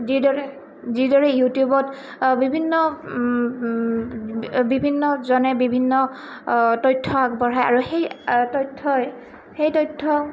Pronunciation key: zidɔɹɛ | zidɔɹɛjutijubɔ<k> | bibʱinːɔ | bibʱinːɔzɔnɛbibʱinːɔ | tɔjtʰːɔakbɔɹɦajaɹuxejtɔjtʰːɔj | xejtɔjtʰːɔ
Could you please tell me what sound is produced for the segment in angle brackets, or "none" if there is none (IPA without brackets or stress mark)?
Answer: t